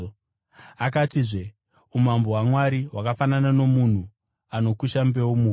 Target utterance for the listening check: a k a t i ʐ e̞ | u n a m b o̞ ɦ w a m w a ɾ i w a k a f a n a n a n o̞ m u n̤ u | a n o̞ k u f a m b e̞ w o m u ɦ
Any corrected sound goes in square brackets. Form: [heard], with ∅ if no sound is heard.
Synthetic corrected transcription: a k a t i ʐ e̞ | u [m] a m b o̞ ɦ w a m w a ɾ i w a k a f a n a n a n o̞ m u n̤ u | a n o̞ k u [ʃ] a m b e̞ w o m u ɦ